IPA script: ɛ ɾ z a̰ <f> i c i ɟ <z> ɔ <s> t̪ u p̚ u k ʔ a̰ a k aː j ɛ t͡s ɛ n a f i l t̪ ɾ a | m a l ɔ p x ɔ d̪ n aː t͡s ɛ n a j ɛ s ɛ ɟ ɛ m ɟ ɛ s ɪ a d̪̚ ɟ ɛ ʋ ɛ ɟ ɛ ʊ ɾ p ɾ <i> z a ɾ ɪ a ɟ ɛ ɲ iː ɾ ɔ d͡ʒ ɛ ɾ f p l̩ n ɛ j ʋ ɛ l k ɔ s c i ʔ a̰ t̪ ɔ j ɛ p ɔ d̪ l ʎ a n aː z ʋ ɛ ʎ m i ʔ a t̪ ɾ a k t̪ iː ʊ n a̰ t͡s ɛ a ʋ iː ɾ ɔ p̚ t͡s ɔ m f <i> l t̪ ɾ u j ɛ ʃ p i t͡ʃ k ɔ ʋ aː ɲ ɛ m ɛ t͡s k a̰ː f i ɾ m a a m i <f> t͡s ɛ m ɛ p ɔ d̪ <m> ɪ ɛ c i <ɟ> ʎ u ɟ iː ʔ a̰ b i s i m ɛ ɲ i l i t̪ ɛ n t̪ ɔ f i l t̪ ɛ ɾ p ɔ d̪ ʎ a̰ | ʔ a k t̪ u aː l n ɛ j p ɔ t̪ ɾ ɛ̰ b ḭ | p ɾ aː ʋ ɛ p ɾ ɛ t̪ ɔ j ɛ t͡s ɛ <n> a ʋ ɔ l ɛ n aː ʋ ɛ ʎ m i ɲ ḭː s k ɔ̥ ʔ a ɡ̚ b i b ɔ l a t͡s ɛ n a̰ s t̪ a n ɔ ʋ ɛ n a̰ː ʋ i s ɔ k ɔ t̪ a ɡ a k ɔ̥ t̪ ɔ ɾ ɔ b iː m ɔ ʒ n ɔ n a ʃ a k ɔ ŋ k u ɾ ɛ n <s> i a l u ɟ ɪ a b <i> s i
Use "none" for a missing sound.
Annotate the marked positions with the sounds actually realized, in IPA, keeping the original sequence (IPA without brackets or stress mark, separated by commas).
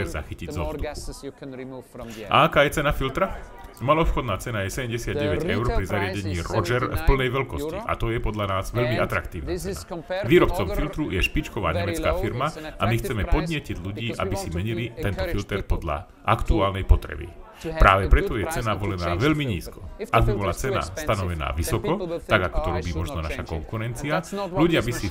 x, z, s, i, i, x, ɲ, ɟ, n, t͡s, i